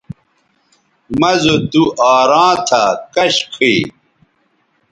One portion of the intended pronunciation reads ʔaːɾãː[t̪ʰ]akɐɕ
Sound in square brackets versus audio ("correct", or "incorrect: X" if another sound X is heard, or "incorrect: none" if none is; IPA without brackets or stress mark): correct